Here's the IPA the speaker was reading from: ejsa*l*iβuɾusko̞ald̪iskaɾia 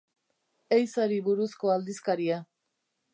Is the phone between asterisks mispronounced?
yes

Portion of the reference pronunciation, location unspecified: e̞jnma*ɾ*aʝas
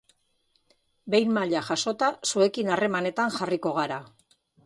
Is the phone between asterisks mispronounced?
yes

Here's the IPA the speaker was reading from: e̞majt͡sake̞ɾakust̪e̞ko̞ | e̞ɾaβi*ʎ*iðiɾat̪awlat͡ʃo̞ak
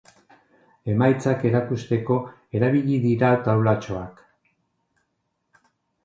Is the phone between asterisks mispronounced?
no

